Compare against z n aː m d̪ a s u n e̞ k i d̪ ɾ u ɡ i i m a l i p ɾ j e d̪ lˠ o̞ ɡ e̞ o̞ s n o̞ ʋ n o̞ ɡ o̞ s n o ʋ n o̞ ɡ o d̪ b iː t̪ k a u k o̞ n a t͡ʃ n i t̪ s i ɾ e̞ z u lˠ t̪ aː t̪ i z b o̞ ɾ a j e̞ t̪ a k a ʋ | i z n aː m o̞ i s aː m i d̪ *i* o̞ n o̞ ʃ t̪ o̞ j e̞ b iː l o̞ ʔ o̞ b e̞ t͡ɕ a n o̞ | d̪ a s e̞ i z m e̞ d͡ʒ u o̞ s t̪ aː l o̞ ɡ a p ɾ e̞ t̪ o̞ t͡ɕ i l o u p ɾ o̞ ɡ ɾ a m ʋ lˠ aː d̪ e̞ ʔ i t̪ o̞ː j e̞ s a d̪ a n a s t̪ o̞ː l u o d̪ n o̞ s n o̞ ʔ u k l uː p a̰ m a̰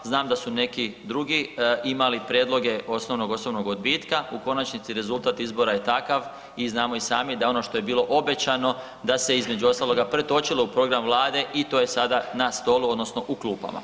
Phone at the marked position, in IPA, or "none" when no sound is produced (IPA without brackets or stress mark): a